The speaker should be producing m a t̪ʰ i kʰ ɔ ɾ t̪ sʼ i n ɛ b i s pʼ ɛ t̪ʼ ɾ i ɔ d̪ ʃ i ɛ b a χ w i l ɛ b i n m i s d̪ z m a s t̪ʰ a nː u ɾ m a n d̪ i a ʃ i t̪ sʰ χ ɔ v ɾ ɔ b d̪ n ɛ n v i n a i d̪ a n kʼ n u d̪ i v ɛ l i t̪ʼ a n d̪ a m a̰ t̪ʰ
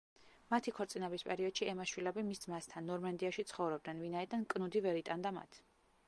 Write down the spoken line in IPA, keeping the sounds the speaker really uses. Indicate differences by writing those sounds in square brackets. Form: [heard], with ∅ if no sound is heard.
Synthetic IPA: m a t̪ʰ i kʰ ɔ ɾ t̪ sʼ i n ɛ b i s pʼ ɛ [∅] ɾ i ɔ d̪ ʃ i ɛ [m] a [ʃ] w i l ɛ b i [∅] m i s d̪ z m a s t̪ʰ a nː [ɔ] ɾ m a n d̪ i a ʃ i t̪ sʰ χ ɔ v ɾ ɔ b d̪ n ɛ n v i n a i d̪ a n kʼ n u d̪ i v ɛ [ɾ] i t̪ʼ a n d̪ a m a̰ t̪ʰ